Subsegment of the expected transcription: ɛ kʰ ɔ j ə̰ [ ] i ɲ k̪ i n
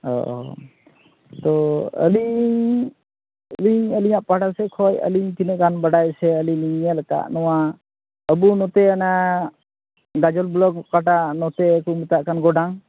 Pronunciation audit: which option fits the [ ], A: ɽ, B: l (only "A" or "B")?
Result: B